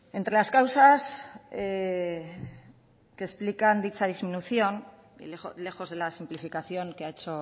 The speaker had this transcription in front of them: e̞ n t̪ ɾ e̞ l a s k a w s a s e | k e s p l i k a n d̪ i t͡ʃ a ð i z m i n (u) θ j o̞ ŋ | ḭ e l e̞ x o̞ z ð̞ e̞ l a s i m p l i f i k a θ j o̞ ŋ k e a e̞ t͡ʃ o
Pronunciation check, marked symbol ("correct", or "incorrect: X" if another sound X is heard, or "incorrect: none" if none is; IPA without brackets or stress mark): correct